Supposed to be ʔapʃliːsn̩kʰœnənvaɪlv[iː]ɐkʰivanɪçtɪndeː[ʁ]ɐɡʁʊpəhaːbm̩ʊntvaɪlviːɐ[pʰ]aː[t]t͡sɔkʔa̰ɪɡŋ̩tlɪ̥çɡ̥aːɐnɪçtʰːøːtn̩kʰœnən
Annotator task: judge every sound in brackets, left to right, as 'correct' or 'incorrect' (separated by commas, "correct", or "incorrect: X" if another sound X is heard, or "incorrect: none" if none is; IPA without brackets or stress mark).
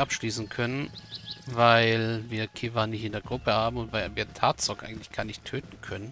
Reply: correct, incorrect: none, incorrect: tʰ, correct